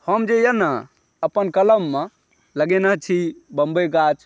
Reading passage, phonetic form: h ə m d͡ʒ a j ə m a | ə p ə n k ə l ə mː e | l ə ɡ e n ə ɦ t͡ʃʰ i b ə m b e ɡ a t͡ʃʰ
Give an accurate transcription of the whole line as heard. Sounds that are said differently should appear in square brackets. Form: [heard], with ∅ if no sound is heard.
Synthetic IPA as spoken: h ə m d͡ʒ [e] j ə [n] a | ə p ə n k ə l ə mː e | l ə ɡ e n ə ɦ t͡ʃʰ i b ə m b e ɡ a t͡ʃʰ